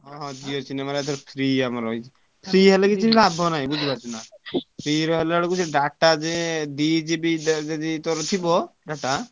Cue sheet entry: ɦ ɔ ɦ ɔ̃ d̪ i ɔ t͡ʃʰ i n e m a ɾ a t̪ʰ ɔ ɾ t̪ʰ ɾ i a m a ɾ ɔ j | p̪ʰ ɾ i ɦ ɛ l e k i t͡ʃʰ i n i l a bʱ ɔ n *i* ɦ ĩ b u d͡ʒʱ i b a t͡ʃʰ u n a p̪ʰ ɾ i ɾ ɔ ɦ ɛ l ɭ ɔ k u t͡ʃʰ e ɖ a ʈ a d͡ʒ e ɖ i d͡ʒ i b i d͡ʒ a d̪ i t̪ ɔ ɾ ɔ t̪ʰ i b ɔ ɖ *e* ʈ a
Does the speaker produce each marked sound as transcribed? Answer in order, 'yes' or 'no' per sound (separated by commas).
no, no